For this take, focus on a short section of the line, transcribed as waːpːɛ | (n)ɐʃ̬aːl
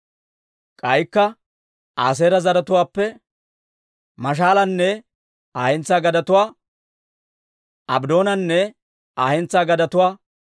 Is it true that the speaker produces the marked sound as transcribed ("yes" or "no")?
no